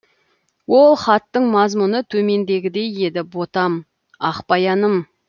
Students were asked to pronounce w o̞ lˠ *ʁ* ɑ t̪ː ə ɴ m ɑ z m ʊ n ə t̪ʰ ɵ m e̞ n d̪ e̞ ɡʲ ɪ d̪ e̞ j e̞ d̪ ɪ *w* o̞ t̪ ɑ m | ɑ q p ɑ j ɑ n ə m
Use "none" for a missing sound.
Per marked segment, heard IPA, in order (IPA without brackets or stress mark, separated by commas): χ, b